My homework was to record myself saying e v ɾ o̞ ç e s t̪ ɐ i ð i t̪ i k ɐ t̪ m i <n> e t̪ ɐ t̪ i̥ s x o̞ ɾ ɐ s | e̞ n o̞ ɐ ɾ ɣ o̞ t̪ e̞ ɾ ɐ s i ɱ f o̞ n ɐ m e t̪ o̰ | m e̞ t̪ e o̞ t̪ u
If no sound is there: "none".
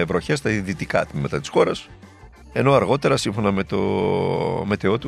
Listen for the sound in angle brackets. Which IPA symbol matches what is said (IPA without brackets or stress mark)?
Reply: m